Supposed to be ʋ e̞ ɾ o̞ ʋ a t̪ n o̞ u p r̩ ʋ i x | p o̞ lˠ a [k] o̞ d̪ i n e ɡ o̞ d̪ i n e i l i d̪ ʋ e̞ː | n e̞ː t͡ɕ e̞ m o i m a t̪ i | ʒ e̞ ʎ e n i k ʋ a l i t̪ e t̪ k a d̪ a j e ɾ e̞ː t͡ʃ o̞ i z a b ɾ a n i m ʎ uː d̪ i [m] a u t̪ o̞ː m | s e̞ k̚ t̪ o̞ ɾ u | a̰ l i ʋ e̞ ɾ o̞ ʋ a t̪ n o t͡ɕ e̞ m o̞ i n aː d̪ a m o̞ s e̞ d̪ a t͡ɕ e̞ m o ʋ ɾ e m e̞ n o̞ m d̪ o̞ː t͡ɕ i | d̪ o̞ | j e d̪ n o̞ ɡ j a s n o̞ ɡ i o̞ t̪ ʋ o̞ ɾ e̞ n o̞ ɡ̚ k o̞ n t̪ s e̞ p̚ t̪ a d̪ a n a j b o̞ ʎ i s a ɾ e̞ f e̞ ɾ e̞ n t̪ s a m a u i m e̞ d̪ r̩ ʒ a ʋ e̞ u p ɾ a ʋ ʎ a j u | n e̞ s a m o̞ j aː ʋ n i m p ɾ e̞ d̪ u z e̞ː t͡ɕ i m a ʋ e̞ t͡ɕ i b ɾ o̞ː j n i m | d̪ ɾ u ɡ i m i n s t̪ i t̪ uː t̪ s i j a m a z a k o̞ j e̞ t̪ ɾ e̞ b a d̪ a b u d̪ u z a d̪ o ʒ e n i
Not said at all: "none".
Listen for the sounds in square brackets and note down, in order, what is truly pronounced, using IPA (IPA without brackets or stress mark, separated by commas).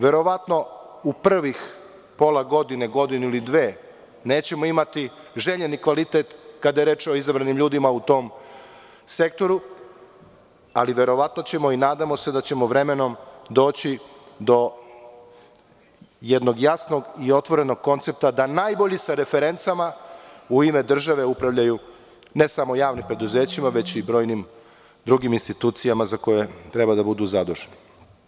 ɡ, m